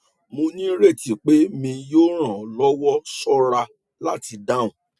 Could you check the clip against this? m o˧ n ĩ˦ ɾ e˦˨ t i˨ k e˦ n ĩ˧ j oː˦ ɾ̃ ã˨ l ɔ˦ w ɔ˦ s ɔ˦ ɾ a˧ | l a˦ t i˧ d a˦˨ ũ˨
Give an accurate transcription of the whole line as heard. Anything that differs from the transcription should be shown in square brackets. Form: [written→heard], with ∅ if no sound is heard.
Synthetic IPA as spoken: m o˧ n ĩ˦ ɾ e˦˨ t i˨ [k→k͡p] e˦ [n→m] ĩ˧ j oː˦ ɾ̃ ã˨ l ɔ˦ w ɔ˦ s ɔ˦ ɾ a˧ | l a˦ t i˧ d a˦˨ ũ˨